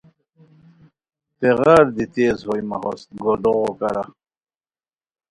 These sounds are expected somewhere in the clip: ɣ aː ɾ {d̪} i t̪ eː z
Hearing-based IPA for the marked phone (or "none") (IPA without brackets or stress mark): d̪